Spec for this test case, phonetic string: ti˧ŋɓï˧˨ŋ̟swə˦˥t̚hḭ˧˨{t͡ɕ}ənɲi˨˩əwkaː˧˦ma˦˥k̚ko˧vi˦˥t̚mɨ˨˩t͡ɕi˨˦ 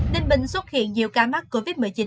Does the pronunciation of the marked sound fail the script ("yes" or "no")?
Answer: yes